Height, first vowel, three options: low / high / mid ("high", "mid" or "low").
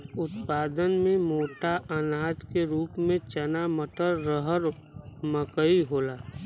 high